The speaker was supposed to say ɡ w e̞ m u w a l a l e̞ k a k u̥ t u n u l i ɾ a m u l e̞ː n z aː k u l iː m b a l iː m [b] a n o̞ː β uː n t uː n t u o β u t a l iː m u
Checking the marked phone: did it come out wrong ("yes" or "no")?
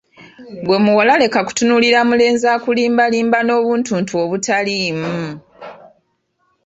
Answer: no